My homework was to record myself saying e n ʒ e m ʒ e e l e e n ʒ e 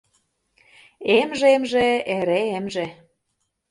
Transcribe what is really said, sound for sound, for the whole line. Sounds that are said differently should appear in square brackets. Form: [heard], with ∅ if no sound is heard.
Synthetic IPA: e [m] ʒ e m ʒ e e [ɾ] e e [m] ʒ e